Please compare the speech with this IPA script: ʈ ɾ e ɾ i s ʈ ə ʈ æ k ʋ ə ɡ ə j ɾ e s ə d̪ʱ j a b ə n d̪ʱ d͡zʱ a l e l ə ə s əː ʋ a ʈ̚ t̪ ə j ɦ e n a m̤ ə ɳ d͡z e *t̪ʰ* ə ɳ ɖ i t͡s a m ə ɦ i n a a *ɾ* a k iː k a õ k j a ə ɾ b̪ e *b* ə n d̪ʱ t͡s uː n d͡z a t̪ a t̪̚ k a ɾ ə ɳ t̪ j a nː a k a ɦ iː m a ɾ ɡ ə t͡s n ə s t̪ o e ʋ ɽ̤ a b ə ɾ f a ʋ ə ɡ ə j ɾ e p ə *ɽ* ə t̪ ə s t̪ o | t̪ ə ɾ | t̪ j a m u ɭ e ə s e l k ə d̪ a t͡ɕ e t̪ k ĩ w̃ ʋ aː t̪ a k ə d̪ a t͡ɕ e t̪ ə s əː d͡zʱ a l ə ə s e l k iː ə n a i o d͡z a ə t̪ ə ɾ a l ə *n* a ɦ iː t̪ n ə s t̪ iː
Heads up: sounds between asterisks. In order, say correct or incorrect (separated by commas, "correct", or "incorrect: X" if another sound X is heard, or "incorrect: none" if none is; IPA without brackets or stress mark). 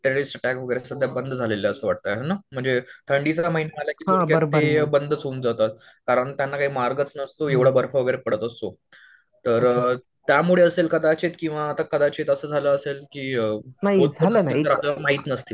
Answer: correct, incorrect: l, correct, correct, incorrect: m